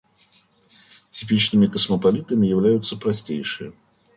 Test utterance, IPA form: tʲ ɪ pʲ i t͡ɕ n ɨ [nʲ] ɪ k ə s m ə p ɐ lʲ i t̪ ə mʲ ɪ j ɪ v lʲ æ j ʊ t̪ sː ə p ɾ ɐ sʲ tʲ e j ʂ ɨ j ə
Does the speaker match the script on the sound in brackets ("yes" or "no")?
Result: no